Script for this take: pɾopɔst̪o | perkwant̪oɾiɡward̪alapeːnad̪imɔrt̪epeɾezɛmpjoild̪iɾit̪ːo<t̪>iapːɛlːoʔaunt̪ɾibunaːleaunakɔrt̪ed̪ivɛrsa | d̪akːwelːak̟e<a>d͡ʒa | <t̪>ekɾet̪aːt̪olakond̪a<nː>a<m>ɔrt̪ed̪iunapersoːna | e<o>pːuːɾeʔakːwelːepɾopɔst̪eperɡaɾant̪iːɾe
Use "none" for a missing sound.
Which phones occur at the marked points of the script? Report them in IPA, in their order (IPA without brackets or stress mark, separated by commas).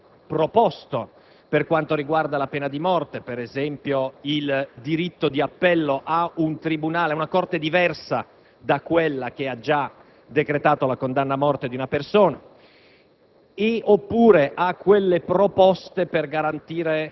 d̪, a, d̪, nː, m, o